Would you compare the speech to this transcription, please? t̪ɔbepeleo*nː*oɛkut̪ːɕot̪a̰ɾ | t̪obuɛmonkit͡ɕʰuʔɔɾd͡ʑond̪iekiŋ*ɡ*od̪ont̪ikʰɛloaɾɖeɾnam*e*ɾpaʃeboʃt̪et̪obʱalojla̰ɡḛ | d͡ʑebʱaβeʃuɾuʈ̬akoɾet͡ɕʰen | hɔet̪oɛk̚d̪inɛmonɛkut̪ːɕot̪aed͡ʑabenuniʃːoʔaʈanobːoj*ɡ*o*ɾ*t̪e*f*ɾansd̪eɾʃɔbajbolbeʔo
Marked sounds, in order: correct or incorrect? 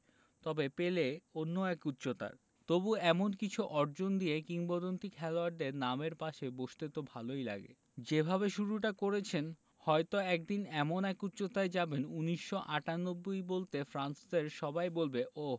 correct, incorrect: b, correct, incorrect: b, incorrect: l, correct

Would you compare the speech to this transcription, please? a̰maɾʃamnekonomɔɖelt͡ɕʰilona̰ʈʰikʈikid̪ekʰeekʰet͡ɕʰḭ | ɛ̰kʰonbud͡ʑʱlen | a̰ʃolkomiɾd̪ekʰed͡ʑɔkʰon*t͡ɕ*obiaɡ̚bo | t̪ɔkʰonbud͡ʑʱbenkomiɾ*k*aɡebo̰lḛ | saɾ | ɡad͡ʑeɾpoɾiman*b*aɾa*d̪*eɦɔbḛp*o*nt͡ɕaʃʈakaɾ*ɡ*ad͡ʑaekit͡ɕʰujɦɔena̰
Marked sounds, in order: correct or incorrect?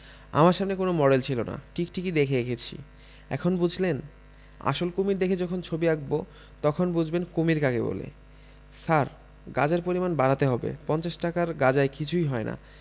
incorrect: t͡ɕʰ, correct, correct, incorrect: t̪, incorrect: ɔ, correct

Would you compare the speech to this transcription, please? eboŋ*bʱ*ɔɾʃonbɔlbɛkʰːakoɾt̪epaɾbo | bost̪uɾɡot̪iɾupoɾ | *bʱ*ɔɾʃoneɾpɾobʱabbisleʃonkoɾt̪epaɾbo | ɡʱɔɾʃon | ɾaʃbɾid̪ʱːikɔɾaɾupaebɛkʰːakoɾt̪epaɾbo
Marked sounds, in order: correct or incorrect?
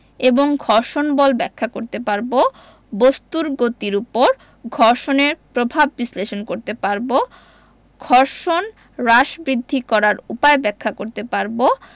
incorrect: ɡʱ, incorrect: ɡʱ

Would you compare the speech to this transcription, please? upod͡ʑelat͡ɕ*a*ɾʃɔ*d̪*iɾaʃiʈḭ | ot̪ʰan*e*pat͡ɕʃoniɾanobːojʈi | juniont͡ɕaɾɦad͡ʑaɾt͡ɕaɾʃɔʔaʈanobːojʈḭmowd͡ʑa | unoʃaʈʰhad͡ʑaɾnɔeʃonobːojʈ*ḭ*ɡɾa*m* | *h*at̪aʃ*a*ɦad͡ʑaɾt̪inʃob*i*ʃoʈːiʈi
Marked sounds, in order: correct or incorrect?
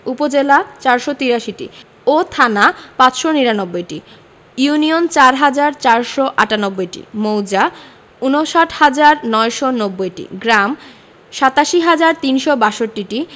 correct, incorrect: t̪, incorrect: a, correct, correct, incorrect: ʃ, incorrect: i, incorrect: a

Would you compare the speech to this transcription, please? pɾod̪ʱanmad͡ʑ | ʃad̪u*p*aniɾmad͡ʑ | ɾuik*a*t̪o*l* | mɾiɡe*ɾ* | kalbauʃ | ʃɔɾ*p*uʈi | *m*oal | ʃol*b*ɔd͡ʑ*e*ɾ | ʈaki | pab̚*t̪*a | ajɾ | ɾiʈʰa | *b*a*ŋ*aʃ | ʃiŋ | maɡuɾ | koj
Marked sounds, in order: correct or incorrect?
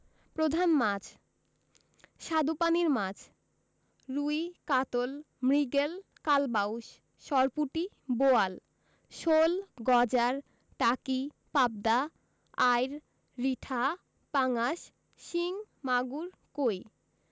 correct, correct, correct, incorrect: l, correct, incorrect: b, incorrect: ɡ, incorrect: a, incorrect: d̪, incorrect: p, correct

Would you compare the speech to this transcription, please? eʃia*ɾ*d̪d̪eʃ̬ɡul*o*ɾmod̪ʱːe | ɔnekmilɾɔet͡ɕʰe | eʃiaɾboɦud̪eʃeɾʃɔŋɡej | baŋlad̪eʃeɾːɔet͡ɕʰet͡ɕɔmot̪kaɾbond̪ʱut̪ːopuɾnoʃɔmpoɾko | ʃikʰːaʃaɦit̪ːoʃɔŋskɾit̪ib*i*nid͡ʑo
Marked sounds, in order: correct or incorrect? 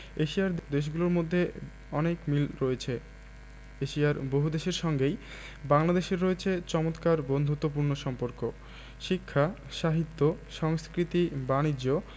correct, correct, incorrect: a

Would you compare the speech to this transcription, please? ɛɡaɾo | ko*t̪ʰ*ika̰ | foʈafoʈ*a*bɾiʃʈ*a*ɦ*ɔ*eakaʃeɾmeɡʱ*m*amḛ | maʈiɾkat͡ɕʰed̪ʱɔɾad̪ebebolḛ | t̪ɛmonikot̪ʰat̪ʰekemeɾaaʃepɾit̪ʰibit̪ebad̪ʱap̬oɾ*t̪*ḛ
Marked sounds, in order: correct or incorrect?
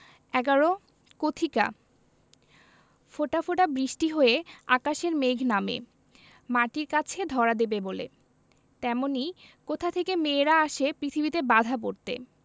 correct, correct, incorrect: i, incorrect: o, incorrect: n, correct

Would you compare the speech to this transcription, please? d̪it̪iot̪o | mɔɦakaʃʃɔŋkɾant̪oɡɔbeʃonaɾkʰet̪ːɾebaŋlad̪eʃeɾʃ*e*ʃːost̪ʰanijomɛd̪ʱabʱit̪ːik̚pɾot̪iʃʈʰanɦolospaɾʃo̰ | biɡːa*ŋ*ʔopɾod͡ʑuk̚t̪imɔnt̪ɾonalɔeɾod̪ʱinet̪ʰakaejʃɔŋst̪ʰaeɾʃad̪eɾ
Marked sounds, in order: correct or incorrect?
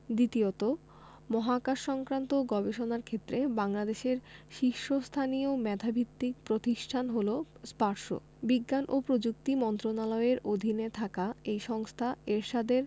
incorrect: i, incorrect: n

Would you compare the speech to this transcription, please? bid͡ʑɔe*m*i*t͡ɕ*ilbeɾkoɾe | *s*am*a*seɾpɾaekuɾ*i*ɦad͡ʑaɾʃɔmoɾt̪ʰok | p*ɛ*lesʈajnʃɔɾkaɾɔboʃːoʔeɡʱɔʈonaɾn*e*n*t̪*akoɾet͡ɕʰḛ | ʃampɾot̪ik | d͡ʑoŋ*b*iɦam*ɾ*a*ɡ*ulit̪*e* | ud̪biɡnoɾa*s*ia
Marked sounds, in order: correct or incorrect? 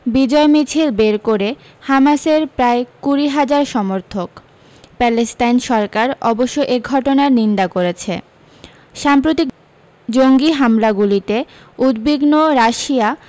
correct, incorrect: t͡ɕʰ, incorrect: h, correct, correct, correct, incorrect: i, incorrect: d̪, incorrect: ɡ, incorrect: l, correct, correct, incorrect: ʃ

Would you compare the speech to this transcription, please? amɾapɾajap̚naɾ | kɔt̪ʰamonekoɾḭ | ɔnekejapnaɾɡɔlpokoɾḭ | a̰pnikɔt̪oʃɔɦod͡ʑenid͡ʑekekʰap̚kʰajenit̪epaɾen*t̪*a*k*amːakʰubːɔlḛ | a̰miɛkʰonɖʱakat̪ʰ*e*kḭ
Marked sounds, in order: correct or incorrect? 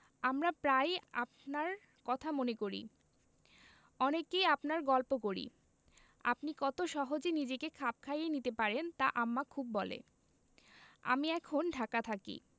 correct, incorrect: ʔ, incorrect: a

